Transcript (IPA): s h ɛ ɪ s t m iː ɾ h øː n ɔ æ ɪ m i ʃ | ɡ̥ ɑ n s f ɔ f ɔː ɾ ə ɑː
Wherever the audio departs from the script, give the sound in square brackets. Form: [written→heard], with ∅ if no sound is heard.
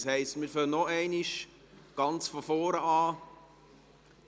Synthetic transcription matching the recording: s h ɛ ɪ s t m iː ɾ [h→f] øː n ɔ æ ɪ [m→n] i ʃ | ɡ̥ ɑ n [s→t͡s] f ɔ f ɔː ɾ ə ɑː